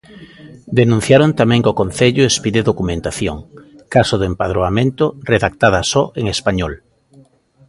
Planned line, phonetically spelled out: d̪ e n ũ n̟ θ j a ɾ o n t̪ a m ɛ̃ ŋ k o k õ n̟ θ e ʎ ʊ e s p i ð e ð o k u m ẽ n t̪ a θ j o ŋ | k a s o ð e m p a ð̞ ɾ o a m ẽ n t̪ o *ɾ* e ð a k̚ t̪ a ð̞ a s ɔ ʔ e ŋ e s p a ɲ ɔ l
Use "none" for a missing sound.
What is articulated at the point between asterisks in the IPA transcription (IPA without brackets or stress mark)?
r